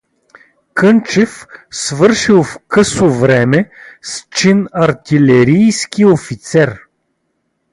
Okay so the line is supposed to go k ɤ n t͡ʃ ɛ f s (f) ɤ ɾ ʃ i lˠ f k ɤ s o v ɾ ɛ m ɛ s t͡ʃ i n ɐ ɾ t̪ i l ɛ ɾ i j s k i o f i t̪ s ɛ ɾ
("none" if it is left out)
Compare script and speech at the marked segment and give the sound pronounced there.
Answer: v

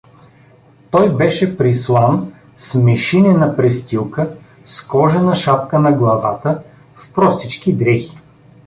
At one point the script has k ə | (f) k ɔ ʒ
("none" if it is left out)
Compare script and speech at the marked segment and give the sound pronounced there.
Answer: s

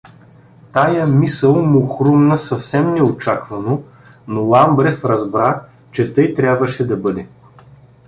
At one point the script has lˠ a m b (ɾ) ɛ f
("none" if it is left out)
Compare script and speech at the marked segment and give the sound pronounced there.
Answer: ɾ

